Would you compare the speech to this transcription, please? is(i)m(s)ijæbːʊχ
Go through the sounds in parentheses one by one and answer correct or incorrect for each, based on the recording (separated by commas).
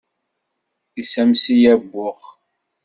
incorrect, correct